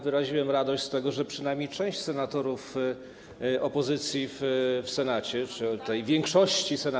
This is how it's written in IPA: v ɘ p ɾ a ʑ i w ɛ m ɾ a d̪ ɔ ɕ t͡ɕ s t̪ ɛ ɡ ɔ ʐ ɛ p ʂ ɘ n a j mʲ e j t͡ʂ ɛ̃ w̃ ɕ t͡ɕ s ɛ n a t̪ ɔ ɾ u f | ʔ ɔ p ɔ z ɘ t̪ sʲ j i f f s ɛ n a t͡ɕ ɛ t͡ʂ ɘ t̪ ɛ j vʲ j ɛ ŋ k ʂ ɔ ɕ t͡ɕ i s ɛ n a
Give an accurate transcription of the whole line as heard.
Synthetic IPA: v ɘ ɾ a ʑ i w ɛ m ɾ a d̪ ɔ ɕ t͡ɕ s t̪ ɛ ɡ ɔ ʐ ɛ p ʂ ɘ n a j mʲ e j t͡ʂ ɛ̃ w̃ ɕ t͡ɕ s ɛ n a t̪ ɔ ɾ u f | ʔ ɔ p ɔ z ɘ t̪ sʲ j i f f s ɛ n a t͡ɕ ɛ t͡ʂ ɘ t̪ ɛ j vʲ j ɛ ŋ k ʂ ɔ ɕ t͡ɕ i s ɛ n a

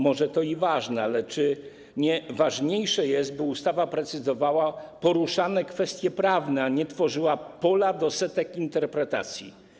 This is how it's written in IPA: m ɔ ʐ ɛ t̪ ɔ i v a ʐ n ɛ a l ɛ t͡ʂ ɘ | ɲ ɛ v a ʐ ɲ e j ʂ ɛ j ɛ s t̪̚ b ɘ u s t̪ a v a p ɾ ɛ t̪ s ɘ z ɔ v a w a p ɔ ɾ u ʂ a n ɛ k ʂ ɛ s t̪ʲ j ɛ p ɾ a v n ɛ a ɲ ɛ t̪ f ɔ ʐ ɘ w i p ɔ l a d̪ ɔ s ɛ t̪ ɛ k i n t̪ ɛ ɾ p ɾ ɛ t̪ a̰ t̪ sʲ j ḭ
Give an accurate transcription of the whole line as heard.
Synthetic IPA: m ɔ ʐ ɛ t̪ ɔ i v a ʐ n ɛ a l ɛ t͡ʂ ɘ | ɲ ɛ v a ʐ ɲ e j ʂ ɛ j ɛ s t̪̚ b ɘ u s t̪ a v a p ɾ ɛ t̪ s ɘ z ɔ v a w a p ɔ ɾ u ʂ a n ɛ k f ɛ s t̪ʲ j ɛ p ɾ a v n ɛ a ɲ ɛ t̪ f ɔ ʐ ɘ w a p ɔ l a d̪ ɔ s ɛ t̪ ɛ k i n t̪ ɛ ɾ p ɾ ɛ t̪ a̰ t̪ sʲ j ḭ

